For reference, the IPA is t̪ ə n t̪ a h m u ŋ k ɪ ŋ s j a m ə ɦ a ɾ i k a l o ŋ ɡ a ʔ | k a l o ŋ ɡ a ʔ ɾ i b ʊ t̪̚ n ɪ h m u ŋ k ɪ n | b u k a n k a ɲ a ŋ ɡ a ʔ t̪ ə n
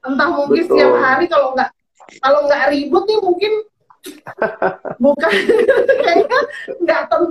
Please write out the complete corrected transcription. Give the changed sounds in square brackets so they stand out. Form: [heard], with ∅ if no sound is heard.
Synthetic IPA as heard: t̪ ə n t̪ a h m u ŋ k ɪ [n] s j a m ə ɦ a ɾ i k a l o ŋ ɡ a ʔ | k a l o ŋ ɡ a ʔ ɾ i b ʊ t̪̚ n ɪ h m u ŋ k ɪ n | b u k a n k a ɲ a ŋ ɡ a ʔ t̪ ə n